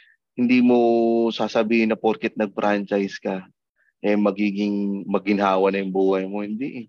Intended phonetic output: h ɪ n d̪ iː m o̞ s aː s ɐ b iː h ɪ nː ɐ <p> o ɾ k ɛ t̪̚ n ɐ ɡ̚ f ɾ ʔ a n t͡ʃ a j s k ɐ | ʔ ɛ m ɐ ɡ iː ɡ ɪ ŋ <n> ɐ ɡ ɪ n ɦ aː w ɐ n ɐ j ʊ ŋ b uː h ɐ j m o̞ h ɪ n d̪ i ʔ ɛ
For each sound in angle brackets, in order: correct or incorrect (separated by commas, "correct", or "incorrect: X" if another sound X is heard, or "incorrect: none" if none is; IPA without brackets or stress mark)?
correct, incorrect: m